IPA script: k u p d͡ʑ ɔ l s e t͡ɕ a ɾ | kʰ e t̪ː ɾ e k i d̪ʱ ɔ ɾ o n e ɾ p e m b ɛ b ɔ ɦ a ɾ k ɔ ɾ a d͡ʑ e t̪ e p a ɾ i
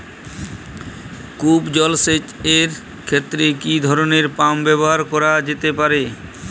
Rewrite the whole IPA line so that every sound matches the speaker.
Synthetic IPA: k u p d͡ʑ ɔ l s e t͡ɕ e ɾ | kʰ e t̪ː ɾ e k i d̪ʱ ɔ ɾ o n e ɾ p a m b ɛ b o ɦ a ɾ k ɔ ɾ a d͡ʑ e t̪ e p a ɾ e